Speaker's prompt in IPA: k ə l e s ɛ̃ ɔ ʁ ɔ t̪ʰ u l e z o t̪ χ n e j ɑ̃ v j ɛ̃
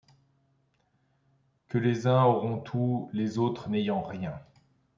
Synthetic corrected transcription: k ə l e z ɛ̃ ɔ ʁ ɔ̃ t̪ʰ u l e z o t̪ χ n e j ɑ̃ ʁ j ɛ̃